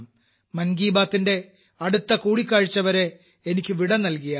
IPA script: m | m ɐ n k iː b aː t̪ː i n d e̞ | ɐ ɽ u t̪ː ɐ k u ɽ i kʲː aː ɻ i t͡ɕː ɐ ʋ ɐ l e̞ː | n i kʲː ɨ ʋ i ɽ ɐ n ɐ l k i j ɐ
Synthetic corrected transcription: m | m ɐ n ɡ iː b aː t̪ː i n d e̞ | ɐ ɽ u t̪ː ɐ k uː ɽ i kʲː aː ɻ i t͡ɕː ɐ ʋ ɐ ɾ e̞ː | n i kʲː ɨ ʋ i ɽ ɐ n ɐ l k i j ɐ

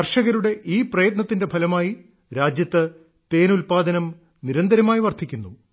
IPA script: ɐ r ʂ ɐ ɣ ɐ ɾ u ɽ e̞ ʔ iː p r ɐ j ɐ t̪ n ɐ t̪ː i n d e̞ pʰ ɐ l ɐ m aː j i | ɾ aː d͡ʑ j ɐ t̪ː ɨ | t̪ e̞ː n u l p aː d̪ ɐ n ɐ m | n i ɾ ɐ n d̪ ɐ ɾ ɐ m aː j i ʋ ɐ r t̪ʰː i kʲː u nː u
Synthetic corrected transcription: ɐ r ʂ ɐ ɣ ɐ ɾ u ɽ e̞ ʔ iː p r ɐ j ɐ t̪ n ɐ t̪ː i n d e̞ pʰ ɐ l ɐ m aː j i | ɾ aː d͡ʑ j ɐ t̪ː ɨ | t̪ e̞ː n u l p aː d̪ ɐ n ɐ m | n i ɾ ɐ n d̪ ɐ ɾ ɐ m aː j i ʋ ɐ r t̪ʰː i kʲː u nː u

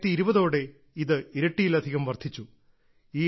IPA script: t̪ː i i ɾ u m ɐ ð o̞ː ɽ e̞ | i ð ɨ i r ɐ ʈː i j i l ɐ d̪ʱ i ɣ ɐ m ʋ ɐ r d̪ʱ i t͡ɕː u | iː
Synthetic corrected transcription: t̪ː i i ɾ u b ɐ ð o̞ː ɽ e̞ | i ð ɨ i ɾ ɐ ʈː i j i l ɐ d̪ʱ i ɣ ɐ m ʋ ɐ r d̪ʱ i t͡ɕː u | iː

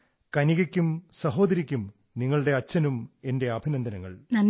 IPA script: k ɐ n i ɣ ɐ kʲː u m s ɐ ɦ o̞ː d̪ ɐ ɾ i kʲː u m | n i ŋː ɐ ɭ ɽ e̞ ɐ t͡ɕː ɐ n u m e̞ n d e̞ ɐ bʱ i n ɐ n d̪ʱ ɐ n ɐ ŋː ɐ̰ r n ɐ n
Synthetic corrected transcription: k ɐ n i ɣ ɐ kʲː u m s ɐ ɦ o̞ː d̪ ɐ ɾ i kʲː u m | n i ŋː ɐ ɭ ɽ e̞ ɐ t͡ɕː ɐ n u m e̞ n d e̞ ɐ bʱ i n ɐ n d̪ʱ ɐ n ɐ ŋː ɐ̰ ɭ n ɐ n

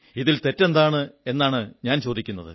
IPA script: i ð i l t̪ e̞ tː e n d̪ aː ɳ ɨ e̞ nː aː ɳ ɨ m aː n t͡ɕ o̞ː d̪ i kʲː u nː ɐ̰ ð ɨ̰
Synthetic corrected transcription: i ð i l t̪ e̞ tː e n d̪ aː ɳ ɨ e̞ nː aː ɳ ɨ ɲ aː n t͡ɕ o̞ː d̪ i kʲː u nː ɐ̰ ð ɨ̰

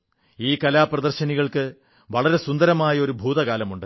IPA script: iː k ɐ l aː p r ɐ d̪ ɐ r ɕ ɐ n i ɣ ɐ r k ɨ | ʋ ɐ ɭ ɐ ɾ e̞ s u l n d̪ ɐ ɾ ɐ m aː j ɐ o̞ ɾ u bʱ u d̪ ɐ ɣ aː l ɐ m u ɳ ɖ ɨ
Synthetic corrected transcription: iː k ɐ l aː p r ɐ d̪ ɐ r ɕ ɐ n i ɣ ɐ ɭ k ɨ | ʋ ɐ ɭ ɐ ɾ e̞ s u n d̪ ɐ ɾ ɐ m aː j ɐ o̞ ɾ u bʱ uː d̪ ɐ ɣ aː l ɐ m u ɳ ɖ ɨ

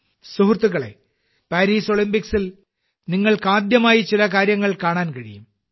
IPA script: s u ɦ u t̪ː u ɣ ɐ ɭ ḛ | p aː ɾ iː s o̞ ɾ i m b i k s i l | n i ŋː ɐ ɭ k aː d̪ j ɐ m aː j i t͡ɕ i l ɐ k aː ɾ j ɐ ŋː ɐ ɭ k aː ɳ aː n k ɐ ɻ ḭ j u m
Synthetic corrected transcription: s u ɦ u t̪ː u ɣ ɐ ɭ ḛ | p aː ɾ iː s o̞ ɭ i m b i k s i l | n i ŋː ɐ ɭ k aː d̪ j ɐ m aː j i t͡ɕ i l ɐ k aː ɾ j ɐ ŋː ɐ ɭ k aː ɳ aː n k ɐ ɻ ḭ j u m

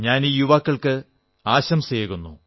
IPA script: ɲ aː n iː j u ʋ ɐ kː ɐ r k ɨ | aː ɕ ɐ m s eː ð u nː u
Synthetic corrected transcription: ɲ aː n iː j u ʋ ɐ kː ɐ ɭ k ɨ | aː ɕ ɐ m s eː ɣ u nː u

